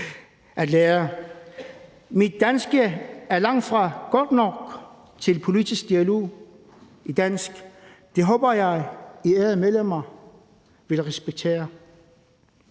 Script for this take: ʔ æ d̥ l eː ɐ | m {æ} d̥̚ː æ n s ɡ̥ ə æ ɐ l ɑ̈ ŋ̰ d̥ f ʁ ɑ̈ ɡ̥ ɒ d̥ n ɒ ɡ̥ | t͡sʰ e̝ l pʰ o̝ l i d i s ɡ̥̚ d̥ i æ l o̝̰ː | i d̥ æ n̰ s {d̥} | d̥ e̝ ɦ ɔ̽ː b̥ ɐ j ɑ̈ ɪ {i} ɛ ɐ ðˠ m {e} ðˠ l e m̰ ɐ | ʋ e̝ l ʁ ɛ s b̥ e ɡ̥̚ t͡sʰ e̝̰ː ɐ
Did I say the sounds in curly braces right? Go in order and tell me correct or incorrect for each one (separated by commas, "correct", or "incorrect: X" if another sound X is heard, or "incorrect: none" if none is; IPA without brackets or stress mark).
incorrect: i, incorrect: ɡ̥, correct, correct